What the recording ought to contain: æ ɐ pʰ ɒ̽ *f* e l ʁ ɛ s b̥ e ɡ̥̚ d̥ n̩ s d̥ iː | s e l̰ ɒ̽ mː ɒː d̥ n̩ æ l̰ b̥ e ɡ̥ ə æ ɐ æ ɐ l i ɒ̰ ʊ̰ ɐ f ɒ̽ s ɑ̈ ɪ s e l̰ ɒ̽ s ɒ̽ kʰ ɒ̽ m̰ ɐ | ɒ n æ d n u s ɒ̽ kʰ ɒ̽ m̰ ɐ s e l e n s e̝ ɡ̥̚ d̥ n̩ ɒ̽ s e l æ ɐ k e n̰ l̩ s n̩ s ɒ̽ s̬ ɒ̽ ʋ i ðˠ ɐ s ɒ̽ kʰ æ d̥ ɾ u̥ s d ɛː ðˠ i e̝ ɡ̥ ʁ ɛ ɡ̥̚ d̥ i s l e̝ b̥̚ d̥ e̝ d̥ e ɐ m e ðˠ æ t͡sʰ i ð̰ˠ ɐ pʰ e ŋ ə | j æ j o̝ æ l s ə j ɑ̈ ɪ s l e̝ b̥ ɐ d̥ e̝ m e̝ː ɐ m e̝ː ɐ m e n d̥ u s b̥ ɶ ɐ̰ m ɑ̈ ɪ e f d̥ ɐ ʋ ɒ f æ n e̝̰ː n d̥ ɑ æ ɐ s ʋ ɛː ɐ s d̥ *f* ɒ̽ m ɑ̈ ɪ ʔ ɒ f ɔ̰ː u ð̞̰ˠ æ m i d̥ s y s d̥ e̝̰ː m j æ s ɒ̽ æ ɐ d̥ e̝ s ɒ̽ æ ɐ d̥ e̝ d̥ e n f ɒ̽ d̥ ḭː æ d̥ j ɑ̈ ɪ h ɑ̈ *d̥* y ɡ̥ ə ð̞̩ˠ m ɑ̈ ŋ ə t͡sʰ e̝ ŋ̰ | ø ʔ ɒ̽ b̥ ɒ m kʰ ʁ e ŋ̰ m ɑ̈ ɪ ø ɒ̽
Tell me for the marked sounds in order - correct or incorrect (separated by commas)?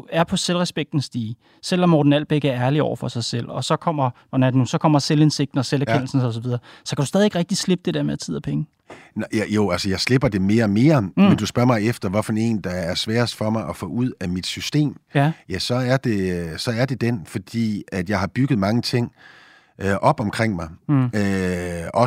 incorrect, correct, incorrect